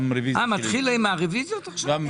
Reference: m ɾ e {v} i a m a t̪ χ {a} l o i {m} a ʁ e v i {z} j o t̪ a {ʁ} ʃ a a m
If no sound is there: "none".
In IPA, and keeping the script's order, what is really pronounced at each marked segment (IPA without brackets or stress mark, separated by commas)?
v, i, m, z, χ